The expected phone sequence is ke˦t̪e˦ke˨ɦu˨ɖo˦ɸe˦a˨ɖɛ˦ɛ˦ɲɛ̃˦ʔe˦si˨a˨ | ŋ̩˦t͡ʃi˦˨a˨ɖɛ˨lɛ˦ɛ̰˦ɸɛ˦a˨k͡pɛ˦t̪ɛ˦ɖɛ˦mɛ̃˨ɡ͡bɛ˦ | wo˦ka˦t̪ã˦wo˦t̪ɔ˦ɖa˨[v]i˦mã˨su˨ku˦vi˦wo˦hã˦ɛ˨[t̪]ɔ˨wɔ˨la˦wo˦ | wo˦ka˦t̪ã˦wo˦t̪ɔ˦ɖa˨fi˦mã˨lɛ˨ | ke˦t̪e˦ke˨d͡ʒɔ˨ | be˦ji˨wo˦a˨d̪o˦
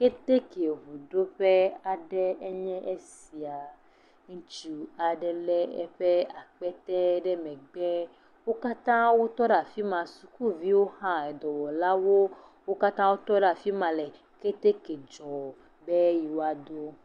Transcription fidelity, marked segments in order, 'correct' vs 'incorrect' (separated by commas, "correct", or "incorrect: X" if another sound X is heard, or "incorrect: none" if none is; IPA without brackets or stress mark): incorrect: f, incorrect: d̪